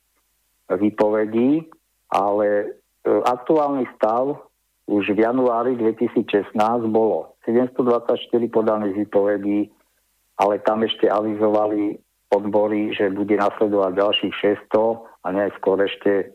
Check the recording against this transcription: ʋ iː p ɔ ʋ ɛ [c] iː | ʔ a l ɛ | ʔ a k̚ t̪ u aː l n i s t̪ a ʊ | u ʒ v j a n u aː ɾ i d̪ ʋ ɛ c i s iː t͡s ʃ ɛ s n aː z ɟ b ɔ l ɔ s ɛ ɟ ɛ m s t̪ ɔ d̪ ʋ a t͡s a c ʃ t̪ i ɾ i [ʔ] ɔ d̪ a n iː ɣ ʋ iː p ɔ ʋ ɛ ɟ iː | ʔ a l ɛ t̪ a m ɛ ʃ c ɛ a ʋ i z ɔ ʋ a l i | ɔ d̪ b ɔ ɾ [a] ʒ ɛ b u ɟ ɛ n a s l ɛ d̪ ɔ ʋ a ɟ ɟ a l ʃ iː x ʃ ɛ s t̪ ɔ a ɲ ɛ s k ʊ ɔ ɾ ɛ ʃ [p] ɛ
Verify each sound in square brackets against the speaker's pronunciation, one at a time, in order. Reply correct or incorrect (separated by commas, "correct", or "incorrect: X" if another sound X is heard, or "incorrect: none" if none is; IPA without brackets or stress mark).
incorrect: ɟ, incorrect: p, incorrect: i, incorrect: c